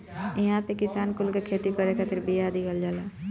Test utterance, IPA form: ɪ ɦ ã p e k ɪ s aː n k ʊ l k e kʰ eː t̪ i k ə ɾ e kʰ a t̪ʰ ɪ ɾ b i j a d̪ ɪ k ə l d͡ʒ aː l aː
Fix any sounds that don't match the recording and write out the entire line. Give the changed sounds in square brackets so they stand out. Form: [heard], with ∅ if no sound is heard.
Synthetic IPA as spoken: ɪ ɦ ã p e k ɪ s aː n k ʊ l k e kʰ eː t̪ i k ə ɾ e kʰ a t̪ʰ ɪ ɾ b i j a d̪ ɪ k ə l d͡ʒ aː l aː